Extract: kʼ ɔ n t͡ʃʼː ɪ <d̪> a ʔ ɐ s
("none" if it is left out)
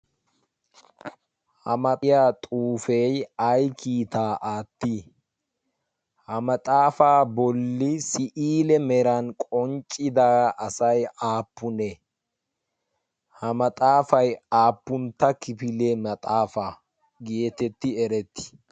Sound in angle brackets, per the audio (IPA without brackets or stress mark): d̪